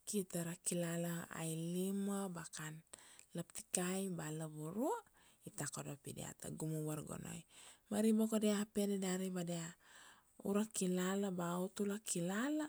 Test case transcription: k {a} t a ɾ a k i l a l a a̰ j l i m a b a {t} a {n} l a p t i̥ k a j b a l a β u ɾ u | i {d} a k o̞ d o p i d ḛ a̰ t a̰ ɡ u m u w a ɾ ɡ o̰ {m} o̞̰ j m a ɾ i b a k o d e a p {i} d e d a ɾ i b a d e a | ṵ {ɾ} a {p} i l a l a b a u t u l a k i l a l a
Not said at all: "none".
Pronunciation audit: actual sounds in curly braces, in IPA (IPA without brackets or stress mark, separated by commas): i, k, n, t, n, e, ɾ, k